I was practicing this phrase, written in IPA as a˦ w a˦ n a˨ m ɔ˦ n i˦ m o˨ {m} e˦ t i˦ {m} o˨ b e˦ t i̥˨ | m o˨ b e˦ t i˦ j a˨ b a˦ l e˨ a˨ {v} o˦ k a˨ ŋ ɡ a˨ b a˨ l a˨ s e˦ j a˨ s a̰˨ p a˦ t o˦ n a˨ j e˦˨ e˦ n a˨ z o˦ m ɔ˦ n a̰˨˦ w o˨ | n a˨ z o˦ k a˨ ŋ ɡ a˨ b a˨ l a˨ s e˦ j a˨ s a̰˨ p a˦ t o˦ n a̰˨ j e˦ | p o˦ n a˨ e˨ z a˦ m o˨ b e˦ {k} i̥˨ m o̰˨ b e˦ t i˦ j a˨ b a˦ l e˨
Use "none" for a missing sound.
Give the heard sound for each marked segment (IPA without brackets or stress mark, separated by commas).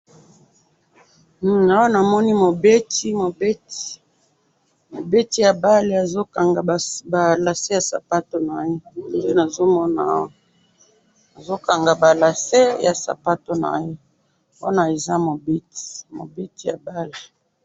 b, m, z, t